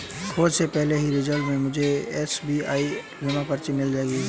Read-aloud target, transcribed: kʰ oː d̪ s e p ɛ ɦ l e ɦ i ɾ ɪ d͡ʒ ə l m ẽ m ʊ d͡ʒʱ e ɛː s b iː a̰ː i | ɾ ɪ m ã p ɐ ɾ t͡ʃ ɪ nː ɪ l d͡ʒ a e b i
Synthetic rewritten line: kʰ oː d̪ s e p ɛ ɦ l e ɦ i ɾ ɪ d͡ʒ ə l m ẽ m ʊ d͡ʒʱ e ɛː s b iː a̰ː i | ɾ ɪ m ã p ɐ ɾ t͡ʃ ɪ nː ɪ l d͡ʒ a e ɡ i